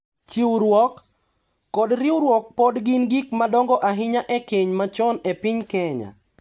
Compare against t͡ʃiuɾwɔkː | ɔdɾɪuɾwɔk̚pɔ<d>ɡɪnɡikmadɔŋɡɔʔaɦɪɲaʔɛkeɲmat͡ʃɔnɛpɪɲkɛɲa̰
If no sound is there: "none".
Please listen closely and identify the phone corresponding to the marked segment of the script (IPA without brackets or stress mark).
d